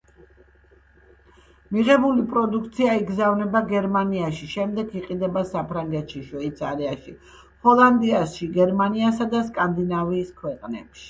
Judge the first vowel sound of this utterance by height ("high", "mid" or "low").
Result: high